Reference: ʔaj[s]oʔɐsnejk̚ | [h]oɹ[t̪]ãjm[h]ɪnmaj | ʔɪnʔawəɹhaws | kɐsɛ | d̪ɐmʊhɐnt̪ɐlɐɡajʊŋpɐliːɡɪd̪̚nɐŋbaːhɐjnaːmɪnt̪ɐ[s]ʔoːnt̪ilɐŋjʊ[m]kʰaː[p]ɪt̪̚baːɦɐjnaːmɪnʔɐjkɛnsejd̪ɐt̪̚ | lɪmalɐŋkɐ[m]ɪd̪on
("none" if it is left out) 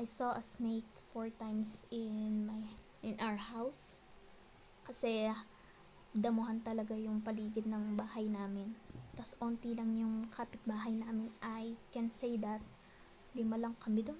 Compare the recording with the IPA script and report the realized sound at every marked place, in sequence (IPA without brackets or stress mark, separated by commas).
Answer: s, f, t̪, s, s, ŋ, p, m